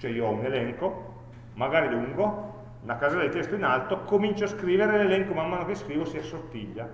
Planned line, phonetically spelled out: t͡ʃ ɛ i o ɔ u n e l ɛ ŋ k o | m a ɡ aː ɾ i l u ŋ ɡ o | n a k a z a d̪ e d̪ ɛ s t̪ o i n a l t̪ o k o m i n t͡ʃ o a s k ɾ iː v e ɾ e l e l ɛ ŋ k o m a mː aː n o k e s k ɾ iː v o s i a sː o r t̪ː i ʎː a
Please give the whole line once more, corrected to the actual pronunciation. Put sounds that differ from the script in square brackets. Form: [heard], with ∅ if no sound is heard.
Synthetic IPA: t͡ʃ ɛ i o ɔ u n e l ɛ ŋ k o | m a ɡ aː ɾ i l u ŋ ɡ o | n a k a z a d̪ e [t̪] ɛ s t̪ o i n a l t̪ o k o m i n t͡ʃ o a s k ɾ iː v e ɾ e l e l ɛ ŋ k o m a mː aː n o k e s k ɾ iː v o s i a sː o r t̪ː i ʎː a